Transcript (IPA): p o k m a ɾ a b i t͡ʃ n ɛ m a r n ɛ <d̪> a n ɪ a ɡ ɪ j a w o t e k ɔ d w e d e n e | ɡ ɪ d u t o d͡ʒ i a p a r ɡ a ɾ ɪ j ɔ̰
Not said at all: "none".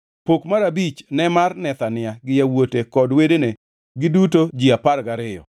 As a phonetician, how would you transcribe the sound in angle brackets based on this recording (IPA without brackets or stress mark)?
t̪